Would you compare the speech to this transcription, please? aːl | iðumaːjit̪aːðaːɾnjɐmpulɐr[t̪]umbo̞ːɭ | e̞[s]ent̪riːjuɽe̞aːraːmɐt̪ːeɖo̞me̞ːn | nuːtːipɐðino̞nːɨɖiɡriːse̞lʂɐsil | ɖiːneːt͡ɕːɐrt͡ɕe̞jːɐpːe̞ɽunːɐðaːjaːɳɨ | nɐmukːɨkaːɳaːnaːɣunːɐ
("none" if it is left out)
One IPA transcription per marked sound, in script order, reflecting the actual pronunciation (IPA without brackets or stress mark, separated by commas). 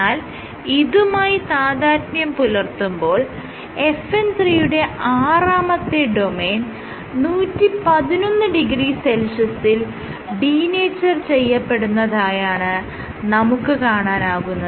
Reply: t̪, f